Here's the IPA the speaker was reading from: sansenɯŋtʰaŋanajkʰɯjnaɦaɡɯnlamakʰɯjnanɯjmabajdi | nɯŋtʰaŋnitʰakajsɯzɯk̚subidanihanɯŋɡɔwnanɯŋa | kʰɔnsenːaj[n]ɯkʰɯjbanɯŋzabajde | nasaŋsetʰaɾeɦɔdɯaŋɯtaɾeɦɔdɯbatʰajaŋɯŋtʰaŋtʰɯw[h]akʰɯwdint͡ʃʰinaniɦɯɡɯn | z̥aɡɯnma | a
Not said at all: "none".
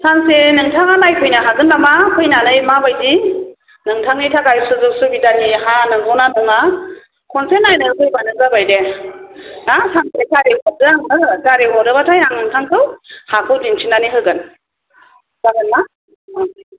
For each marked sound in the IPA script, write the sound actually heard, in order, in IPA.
n, h

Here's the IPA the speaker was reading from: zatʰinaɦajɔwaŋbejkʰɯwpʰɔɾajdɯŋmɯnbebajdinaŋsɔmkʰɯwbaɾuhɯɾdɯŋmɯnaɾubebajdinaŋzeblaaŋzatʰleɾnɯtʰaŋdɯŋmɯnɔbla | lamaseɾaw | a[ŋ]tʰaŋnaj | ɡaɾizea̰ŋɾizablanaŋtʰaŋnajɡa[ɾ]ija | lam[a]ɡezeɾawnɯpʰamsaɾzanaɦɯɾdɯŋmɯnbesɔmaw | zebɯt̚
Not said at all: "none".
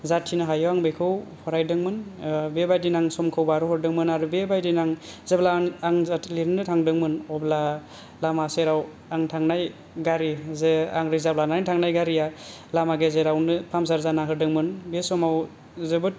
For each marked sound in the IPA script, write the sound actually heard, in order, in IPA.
ŋ, ɾ, a

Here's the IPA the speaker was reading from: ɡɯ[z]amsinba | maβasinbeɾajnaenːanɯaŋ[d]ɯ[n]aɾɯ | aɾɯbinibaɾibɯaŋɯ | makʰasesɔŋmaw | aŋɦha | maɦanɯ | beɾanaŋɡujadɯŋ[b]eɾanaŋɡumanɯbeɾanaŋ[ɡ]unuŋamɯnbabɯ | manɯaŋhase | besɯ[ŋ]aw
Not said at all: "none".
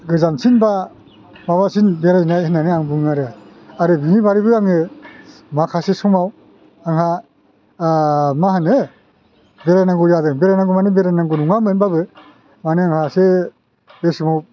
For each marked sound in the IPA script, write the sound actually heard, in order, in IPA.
z, b, ŋ, b, ɡ, m

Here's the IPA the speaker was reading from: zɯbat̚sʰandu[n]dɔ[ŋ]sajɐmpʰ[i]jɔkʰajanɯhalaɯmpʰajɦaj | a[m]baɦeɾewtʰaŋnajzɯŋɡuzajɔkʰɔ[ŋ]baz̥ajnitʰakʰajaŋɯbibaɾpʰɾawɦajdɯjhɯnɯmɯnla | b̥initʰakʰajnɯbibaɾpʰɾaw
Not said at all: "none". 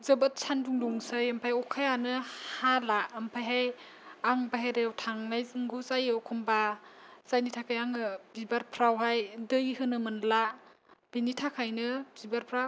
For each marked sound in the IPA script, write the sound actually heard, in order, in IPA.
ŋ, ŋ, a, ŋ, m

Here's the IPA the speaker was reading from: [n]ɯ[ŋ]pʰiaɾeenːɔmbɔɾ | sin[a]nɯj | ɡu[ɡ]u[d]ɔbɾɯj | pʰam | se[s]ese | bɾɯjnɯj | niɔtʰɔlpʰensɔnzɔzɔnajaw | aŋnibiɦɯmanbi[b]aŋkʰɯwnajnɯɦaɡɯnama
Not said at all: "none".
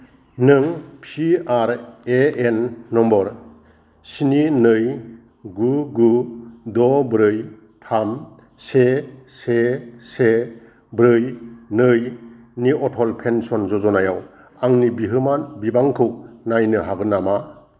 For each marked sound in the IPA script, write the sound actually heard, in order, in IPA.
n, ŋ, i, ɡ, d, s, b

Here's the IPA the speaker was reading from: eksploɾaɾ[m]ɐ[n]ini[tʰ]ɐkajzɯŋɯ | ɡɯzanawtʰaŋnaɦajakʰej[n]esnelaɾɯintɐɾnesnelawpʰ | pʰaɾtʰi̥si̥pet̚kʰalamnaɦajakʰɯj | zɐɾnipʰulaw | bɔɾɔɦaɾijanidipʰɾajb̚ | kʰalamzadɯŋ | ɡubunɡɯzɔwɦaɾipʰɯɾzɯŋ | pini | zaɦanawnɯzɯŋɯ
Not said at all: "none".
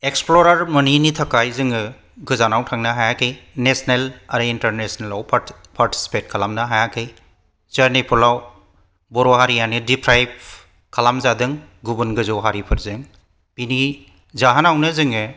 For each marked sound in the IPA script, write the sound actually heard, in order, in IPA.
m, n, tʰ, n

